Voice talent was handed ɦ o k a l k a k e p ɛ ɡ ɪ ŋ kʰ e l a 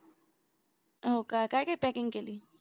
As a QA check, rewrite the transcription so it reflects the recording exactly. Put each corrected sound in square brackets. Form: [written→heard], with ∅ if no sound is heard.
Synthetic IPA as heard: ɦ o k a [l→∅] k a k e p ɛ [ɡ→k] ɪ ŋ [kʰ→k] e l [a→i]